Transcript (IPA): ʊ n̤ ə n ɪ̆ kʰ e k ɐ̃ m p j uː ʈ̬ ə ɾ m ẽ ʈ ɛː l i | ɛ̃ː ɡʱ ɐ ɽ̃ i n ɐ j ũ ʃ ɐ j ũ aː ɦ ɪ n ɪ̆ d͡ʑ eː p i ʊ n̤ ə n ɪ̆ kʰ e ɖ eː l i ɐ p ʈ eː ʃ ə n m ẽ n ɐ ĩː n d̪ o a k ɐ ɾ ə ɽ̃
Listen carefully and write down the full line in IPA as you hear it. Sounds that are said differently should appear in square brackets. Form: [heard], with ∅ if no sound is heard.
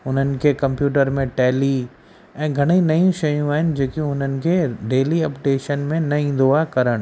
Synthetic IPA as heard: ʊ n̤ ə n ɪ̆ kʰ e k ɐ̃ m p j uː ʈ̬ ə ɾ m ẽ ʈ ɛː l i | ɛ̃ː ɡʱ ɐ ɽ̃ i n ɐ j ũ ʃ ɐ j ũ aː ɦ ɪ n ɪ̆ d͡ʑ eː [k] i ʊ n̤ ə n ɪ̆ kʰ e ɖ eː l i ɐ p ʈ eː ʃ ə n m ẽ n ɐ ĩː n d̪ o a k ɐ ɾ ə ɽ̃